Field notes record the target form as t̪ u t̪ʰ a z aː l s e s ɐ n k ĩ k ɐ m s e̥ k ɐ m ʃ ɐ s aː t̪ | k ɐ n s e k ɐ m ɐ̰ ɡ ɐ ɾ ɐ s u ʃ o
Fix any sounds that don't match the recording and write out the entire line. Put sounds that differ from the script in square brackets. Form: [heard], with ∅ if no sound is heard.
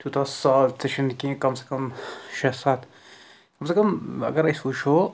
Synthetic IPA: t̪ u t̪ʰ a [s] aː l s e [ʃ] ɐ n k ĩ k ɐ m s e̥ k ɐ m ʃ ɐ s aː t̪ | k ɐ [m] s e k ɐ m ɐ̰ ɡ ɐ ɾ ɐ s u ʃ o